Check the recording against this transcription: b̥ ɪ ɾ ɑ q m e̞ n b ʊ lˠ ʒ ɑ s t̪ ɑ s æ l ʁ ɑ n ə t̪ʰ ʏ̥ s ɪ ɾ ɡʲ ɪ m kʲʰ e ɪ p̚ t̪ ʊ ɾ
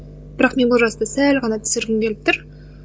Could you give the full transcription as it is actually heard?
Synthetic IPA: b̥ ɪ ɾ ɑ q m e̞ n b ʊ lˠ ʒ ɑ s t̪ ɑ s æ l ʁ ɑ n ɑ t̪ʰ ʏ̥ s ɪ ɾ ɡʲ ɪ m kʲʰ e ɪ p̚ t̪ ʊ ɾ